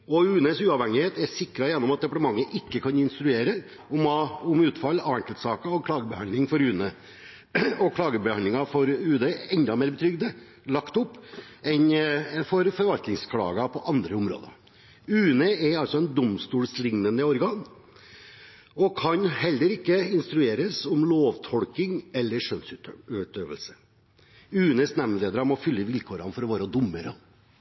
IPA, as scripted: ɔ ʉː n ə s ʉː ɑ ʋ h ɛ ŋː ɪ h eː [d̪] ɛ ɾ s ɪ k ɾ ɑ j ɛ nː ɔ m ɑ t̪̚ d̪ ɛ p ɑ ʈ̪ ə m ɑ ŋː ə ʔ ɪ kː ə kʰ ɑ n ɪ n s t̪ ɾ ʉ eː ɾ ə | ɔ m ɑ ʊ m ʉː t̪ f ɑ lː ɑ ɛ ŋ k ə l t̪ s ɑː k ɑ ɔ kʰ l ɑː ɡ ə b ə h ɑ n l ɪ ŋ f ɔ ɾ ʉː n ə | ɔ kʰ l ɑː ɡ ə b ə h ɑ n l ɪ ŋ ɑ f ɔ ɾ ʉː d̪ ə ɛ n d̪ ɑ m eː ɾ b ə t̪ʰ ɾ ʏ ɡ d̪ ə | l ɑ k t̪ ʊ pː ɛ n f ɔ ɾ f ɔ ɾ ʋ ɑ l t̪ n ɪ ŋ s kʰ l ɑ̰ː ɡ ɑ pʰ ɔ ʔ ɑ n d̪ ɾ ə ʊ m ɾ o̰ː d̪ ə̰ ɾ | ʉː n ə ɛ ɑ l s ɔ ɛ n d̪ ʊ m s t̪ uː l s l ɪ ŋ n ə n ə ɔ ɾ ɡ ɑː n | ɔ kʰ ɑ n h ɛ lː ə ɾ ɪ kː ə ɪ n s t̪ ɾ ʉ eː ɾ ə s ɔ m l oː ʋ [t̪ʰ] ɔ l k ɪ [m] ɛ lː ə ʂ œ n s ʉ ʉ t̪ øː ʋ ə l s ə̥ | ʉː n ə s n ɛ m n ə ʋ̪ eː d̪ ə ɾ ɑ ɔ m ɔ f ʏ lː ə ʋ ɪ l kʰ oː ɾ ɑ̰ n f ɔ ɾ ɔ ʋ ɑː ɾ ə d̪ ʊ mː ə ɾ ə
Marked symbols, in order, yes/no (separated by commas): no, yes, no